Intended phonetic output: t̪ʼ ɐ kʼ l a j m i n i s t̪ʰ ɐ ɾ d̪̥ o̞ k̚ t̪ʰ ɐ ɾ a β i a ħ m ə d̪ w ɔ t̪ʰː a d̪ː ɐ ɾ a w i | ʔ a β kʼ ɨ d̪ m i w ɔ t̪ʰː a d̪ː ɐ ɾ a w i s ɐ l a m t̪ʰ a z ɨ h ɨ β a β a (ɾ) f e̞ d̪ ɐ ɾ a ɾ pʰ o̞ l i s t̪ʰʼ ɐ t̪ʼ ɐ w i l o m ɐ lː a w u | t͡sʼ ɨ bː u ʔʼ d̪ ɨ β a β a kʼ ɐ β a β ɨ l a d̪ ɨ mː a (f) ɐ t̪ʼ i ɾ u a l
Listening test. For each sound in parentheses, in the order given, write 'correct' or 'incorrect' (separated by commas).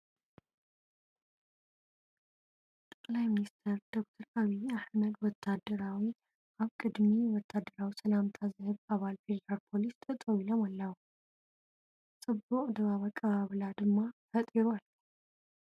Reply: incorrect, correct